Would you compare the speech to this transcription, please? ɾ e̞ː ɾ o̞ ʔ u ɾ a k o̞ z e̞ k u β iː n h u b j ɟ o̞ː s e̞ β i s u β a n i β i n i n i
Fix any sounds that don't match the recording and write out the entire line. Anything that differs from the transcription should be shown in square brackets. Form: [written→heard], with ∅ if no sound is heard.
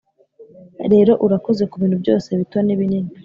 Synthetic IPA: ɾ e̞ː ɾ o̞ ʔ u ɾ a k o̞ z e̞ k u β iː n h u b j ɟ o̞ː s e̞ β i [s→t] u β a n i β i n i n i